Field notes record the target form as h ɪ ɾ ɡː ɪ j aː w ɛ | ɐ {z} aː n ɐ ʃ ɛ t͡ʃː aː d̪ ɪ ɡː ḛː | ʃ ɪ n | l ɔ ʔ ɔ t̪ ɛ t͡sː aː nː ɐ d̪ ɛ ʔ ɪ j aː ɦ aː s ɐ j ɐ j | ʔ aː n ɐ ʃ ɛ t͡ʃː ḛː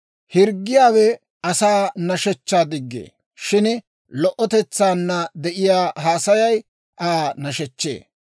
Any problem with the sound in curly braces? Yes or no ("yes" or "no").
yes